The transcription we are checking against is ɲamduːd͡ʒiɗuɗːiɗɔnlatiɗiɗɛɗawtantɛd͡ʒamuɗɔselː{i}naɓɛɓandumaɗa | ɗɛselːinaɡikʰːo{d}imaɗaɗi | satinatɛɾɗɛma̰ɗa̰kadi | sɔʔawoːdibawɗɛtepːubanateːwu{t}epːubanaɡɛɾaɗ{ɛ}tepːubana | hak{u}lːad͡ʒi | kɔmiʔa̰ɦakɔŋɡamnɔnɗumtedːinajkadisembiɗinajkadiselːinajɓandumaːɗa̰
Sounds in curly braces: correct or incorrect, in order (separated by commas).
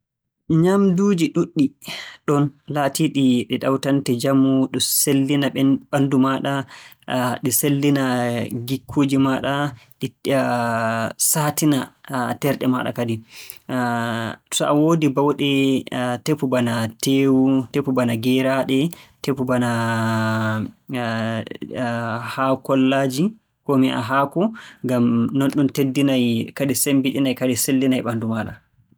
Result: correct, incorrect, correct, correct, incorrect